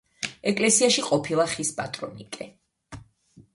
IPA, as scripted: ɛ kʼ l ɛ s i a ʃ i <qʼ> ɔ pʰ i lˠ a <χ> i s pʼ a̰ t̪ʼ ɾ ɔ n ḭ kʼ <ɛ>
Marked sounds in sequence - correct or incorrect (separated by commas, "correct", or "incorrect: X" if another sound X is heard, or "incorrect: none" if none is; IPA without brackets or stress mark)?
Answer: correct, correct, correct